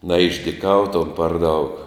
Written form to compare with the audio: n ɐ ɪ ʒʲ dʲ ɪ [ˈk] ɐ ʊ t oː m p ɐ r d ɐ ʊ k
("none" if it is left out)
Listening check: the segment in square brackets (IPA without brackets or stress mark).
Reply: k